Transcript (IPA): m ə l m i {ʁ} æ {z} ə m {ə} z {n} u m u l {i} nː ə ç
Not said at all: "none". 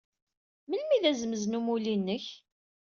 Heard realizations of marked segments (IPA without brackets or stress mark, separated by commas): ð, z, ə, n, i